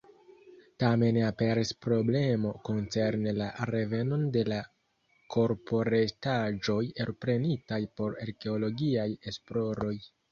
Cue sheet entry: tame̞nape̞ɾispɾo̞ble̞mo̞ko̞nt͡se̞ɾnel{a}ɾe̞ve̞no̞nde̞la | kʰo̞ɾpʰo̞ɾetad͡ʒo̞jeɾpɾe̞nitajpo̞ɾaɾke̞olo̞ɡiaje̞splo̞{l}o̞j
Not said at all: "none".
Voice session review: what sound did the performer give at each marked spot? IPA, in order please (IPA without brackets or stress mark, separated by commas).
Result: a, ɾ